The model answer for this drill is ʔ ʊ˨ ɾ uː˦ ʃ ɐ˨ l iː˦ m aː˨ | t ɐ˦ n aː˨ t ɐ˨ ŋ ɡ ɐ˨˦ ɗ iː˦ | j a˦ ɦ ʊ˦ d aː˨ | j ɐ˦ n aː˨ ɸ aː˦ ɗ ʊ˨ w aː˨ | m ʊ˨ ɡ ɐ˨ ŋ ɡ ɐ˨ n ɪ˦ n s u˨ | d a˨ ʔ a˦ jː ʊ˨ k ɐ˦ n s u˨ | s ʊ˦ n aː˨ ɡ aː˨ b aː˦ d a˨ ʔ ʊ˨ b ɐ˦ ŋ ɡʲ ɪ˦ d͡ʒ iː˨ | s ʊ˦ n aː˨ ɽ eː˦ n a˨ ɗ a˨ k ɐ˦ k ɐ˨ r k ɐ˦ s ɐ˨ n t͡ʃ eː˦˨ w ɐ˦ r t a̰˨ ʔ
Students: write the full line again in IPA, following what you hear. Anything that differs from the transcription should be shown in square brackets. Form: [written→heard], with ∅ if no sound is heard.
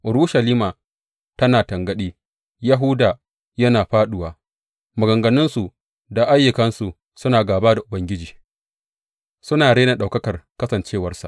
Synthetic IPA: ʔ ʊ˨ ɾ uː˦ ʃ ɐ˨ l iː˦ m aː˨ | t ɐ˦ n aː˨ t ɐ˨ ŋ ɡ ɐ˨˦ ɗ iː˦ | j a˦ ɦ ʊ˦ d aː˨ | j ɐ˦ n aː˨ ɸ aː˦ ɗ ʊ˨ w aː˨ | m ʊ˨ ɡ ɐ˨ ŋ ɡ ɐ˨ n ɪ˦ n s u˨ | d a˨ ʔ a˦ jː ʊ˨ k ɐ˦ n s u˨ | s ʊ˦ n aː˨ ɡ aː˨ b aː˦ d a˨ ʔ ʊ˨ b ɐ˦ ŋ ɡʲ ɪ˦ d͡ʒ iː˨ | s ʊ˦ n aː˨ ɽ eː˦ n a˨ ɗ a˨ k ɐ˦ k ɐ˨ r k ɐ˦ s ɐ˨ n t͡ʃ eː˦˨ w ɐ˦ r [t→s] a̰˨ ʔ